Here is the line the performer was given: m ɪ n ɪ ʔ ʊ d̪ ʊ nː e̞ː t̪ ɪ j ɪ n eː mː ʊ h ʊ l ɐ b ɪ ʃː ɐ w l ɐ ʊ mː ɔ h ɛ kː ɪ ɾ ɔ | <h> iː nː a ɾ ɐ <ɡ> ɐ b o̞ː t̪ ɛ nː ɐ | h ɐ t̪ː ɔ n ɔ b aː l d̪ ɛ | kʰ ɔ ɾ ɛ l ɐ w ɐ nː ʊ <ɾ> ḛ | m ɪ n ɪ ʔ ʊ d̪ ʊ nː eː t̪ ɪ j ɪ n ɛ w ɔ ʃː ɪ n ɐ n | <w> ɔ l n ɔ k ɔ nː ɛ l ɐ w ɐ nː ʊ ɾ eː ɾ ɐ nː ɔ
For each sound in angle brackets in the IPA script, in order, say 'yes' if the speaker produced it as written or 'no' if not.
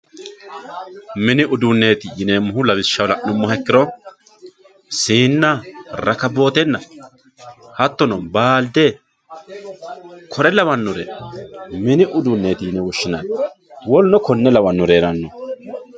no, no, yes, yes

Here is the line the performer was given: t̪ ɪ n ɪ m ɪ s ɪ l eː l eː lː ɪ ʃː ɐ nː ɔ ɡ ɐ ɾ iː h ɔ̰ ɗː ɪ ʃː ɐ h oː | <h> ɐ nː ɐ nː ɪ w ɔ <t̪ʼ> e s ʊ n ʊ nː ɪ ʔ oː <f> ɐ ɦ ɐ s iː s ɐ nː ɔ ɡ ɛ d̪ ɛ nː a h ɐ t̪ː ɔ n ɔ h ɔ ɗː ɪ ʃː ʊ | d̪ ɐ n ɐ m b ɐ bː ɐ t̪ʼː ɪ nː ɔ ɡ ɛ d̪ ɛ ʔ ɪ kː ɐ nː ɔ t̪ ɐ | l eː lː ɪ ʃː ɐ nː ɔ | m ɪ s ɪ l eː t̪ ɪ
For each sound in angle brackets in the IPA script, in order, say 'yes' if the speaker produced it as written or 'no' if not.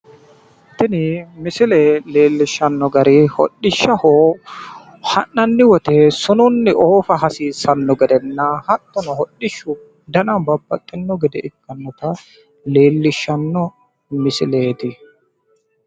yes, no, yes

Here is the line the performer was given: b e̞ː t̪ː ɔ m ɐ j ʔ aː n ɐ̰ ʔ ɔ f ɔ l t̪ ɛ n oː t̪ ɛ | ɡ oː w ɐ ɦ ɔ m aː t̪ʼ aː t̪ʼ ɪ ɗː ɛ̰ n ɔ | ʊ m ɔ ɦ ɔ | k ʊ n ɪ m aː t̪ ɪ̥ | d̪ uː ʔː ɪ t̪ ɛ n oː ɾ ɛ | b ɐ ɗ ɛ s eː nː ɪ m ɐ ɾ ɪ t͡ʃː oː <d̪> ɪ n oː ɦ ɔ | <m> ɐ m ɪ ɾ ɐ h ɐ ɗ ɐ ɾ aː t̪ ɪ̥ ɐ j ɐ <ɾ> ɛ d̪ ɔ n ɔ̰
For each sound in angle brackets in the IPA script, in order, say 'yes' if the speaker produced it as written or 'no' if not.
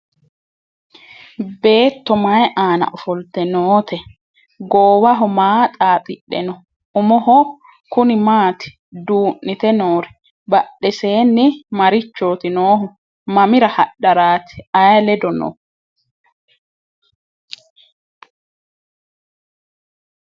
no, yes, no

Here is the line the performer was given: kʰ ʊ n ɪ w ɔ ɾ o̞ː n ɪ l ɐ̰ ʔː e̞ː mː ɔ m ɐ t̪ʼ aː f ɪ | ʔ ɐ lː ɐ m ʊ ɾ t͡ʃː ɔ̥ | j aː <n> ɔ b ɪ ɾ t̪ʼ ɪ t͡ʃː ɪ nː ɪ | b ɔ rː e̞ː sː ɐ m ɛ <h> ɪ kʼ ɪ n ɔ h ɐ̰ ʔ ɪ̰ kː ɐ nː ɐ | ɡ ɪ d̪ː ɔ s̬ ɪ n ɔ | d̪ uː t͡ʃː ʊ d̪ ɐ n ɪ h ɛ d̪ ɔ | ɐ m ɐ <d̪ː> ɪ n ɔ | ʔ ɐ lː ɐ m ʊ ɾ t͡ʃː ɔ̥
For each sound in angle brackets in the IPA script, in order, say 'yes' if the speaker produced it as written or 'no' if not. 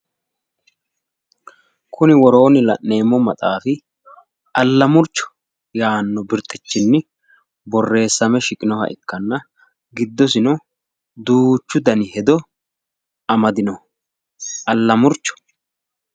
no, no, no

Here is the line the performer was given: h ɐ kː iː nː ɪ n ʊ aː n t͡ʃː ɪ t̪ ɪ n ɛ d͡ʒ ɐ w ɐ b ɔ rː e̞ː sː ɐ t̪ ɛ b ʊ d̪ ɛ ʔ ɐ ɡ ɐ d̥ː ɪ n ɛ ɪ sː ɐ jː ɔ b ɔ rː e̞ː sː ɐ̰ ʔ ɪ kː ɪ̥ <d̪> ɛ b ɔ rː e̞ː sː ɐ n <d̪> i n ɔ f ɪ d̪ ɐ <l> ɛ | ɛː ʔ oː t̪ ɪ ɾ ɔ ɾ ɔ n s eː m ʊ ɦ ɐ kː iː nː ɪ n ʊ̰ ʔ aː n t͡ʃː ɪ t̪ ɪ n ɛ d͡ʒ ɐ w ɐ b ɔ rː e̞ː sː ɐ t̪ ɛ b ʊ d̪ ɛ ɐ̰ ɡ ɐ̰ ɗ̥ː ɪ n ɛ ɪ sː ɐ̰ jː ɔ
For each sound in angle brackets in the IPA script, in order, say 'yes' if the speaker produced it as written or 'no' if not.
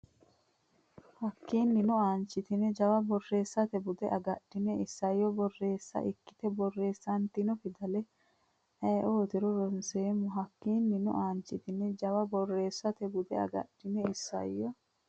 no, no, yes

